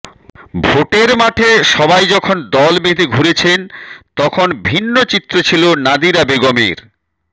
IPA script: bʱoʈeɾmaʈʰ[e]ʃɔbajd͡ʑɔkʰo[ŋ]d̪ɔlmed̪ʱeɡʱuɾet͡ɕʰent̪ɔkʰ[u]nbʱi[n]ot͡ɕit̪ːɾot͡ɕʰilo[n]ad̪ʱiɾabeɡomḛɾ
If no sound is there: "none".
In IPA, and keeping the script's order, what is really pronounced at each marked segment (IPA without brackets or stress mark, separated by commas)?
e, n, o, nː, n